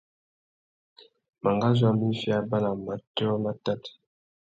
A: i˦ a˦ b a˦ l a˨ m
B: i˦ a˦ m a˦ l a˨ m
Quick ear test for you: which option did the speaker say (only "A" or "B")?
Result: A